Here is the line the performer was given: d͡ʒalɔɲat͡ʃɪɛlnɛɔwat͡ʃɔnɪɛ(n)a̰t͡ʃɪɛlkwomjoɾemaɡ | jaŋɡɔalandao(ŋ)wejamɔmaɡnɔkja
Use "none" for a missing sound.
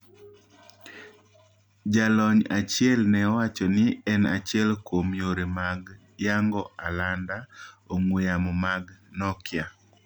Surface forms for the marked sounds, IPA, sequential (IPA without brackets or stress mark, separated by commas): n, ŋ